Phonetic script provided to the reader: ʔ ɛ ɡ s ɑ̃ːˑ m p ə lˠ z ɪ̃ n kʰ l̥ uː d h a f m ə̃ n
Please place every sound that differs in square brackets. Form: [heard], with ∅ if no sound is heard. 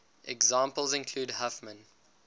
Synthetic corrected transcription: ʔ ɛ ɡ [z] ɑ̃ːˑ m p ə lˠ z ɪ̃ n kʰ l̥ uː d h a f m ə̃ n